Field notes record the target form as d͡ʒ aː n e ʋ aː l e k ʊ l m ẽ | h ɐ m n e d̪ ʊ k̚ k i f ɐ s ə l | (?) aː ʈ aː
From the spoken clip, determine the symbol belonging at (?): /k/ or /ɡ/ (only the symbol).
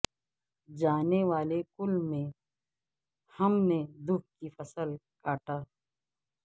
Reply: k